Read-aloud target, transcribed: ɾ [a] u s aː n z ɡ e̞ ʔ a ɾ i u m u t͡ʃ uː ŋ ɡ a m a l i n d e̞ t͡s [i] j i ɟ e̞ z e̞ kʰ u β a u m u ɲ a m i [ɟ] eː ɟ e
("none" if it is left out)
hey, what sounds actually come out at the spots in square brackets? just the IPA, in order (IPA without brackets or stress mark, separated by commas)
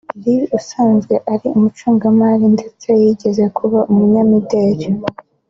i, e, d